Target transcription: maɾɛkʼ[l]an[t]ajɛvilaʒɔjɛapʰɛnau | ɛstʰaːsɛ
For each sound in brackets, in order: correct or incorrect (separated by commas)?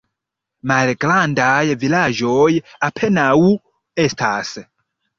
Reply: correct, incorrect